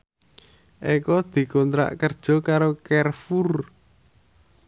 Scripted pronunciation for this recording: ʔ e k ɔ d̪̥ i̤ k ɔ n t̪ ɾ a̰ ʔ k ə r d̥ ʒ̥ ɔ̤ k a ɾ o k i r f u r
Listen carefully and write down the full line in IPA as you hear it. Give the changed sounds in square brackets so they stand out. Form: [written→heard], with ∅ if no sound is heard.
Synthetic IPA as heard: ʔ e k ɔ d̪̥ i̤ k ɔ n t̪ ɾ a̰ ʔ k ə r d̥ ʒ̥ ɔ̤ k a ɾ o k [i→ɛ] r f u r